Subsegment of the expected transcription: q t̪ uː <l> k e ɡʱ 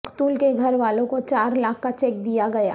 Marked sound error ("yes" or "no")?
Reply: no